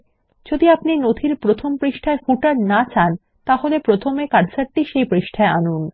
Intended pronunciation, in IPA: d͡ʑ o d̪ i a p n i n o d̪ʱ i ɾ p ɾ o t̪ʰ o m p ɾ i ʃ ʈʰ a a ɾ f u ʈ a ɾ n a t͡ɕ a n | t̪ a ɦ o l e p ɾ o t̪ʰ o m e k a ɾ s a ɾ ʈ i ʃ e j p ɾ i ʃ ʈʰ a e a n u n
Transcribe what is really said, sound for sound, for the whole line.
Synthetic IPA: d͡ʑ o d̪ i a p n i n o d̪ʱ i ɾ p ɾ o t̪ʰ o m p ɾ i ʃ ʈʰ a e ɾ f u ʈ a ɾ n a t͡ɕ a n | t̪ a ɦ o l e p ɾ o t̪ʰ o m e k a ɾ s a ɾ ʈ i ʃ e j p ɾ i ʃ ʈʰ a e a n u n

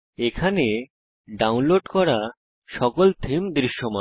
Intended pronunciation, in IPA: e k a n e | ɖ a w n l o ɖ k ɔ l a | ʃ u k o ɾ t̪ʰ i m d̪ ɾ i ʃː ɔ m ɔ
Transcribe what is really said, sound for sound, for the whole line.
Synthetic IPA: e kʰ a n e | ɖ a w n l o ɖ k ɔ ɾ a | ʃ ɔ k o l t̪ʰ i m d̪ ɾ i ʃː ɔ m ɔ

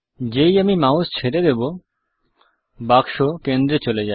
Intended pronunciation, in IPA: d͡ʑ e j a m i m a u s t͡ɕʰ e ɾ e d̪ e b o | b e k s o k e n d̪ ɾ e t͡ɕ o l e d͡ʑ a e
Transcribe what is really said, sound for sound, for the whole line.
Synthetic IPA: d͡ʑ e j a m i m a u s t͡ɕʰ e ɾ e d̪ e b o | b a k ʃ o k e n d̪ ɾ e t͡ɕ o l e d͡ʑ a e

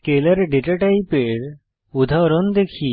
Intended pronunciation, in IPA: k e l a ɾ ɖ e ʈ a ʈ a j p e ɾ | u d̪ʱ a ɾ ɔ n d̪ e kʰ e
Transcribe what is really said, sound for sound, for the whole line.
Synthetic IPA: k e l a ɾ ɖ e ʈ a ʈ a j p e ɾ | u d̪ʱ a ɾ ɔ n d̪ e kʰ i

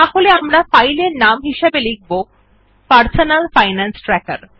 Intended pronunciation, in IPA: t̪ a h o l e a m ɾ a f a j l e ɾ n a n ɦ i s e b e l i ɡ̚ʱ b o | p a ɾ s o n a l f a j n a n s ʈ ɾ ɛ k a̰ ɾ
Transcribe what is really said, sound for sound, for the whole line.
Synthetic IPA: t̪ a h o l e a m ɾ a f a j l e ɾ n a m ɦ i ʃ e b e l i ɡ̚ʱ b o | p a ɾ s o n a l f a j n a n s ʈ ɾ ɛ k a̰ ɾ

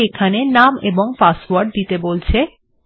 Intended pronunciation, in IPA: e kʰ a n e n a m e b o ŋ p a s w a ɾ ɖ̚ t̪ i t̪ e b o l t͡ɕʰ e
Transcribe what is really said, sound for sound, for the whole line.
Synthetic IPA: e kʰ a n e n a m e b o ŋ p a s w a ɾ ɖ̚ d̪ i t̪ e b o l t͡ɕʰ e

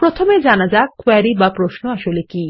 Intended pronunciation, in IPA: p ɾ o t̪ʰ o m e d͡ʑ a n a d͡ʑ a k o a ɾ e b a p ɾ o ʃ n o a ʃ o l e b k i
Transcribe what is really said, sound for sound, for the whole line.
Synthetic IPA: p ɾ o t̪ʰ o m e d͡ʑ a n a d͡ʑ a k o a ɾ i b a p ɾ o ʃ n o a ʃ o l e k i

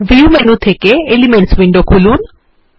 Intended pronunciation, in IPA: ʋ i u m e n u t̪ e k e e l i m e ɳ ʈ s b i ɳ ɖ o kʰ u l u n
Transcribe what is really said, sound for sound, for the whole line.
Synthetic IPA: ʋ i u m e n u t̪ʰ e k e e l i m e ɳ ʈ s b i ɳ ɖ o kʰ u l u n

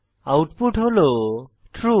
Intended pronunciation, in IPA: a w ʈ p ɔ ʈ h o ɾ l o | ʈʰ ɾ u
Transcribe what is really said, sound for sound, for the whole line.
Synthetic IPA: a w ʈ p u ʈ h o l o | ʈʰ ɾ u

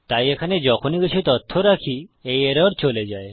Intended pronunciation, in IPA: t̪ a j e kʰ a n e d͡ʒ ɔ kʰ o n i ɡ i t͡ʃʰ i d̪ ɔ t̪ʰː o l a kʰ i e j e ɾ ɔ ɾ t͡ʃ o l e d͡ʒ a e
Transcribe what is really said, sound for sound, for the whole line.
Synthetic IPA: t̪ a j e kʰ a n e d͡ʒ ɔ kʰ o n i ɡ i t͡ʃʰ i t̪ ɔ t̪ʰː o ɾ a kʰ i e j e ɾ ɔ ɾ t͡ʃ o l e d͡ʒ a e

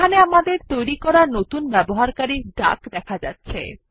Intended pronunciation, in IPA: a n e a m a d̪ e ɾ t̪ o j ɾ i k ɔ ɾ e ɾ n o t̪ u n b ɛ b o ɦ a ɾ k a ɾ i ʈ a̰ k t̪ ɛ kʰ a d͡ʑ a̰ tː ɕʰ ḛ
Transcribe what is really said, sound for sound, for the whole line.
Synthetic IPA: a n e a m a d̪ e ɾ t̪ o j ɾ i k ɔ ɾ a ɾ n o t̪ u n b ɛ b o ɦ a ɾ k a ɾ i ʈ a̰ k d̪ ɛ kʰ a d͡ʑ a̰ tː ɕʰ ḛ

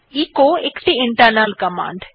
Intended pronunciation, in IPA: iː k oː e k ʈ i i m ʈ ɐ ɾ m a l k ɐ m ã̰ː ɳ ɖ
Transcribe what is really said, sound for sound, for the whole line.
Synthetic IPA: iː k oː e k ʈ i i ɳ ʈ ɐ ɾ n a l k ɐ m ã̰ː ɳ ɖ

